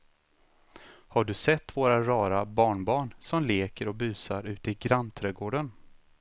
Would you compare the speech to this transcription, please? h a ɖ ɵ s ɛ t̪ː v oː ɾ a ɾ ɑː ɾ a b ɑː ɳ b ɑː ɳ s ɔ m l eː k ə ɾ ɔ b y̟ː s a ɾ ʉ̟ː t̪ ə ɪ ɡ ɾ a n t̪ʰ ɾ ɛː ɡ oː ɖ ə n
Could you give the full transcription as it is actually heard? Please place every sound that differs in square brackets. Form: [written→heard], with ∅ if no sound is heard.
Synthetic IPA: h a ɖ ɵ s ɛ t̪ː v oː ɾ a ɾ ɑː ɾ a b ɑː ɳ b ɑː ɳ s ɔ m l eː k ə ɾ ɔ b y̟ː s a ɾ ʉ̟ː t̪ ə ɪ ɡ ɾ a n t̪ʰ ɾ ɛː ɡ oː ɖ ə n